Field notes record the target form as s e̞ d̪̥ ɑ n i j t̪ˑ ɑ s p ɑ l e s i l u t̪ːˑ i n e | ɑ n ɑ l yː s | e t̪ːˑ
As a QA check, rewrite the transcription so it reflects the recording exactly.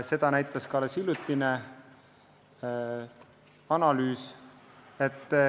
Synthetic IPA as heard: s e̞ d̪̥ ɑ n æ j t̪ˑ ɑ s k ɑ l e s i l u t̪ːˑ i n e | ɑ n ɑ l yː s | e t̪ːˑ